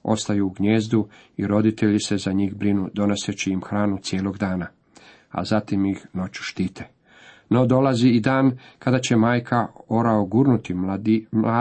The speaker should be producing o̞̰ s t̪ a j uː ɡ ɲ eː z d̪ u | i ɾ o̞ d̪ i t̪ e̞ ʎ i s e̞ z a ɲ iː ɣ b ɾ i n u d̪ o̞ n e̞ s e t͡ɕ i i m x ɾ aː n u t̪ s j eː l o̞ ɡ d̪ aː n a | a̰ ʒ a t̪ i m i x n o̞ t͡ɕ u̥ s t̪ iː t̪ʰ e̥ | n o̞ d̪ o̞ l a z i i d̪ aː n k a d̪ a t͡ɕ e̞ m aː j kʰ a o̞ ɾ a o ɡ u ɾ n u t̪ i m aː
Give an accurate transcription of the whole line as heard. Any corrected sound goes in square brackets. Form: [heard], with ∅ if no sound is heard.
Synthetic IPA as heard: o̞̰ s t̪ a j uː ɡ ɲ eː z d̪ u | i ɾ o̞ d̪ i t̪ e̞ ʎ i s e̞ z a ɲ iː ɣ b ɾ i n u d̪ o̞ n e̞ s e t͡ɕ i i m x ɾ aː n u t̪ s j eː l o̞ ɡ d̪ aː n a | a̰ [z] a t̪ i m i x n o̞ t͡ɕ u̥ [ʃ] t̪ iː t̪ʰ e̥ | n o̞ d̪ o̞ l a z i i d̪ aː n k a d̪ a t͡ɕ e̞ m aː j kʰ a o̞ ɾ a o ɡ u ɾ n u t̪ i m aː